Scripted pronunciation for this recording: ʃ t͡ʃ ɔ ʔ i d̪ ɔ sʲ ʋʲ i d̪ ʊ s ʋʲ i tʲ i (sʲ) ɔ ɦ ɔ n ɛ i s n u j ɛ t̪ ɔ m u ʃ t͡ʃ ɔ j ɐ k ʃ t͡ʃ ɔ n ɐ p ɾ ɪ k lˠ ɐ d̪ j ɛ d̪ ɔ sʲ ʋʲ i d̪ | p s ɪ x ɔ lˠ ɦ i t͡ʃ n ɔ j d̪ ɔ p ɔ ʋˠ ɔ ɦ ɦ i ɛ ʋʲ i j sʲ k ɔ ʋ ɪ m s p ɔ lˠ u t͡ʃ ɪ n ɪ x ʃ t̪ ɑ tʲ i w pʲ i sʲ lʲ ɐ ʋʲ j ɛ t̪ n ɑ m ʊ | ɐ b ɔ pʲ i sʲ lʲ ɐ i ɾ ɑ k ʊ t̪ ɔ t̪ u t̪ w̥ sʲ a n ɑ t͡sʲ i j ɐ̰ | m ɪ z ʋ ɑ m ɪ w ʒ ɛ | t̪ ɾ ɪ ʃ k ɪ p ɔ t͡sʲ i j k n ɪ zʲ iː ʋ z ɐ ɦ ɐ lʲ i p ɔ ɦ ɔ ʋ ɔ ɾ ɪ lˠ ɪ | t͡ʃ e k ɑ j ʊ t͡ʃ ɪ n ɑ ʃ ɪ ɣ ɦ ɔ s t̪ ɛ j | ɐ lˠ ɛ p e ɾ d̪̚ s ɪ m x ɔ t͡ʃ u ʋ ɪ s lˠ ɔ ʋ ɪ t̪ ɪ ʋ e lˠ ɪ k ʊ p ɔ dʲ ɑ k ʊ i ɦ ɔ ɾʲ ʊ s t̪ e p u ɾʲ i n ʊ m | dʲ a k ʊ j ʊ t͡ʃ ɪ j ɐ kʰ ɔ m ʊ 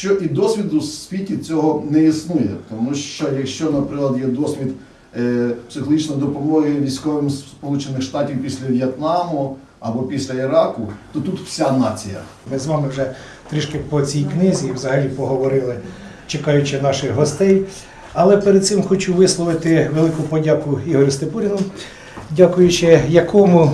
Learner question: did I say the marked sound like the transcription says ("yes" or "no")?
no